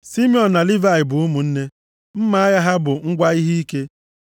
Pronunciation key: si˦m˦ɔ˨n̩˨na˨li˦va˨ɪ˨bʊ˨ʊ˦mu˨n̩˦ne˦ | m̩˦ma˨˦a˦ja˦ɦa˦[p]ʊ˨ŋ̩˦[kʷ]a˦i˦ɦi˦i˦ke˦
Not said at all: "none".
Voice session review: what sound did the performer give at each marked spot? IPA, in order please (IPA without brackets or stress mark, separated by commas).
b, ɡʷ